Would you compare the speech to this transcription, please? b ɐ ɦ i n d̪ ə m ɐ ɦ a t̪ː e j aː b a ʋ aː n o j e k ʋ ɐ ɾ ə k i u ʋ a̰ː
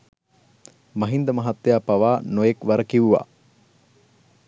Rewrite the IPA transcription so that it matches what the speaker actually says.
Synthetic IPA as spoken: m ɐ ɦ i n d̪ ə m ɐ ɦ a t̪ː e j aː p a ʋ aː n o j e k ʋ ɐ ɾ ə k i u ʋ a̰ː